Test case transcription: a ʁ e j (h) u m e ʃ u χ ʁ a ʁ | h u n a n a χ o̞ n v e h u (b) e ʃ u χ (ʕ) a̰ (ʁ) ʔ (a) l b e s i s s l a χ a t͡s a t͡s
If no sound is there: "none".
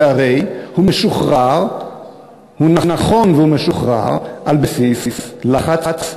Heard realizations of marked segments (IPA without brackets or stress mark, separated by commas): h, m, ʁ, ʁ, a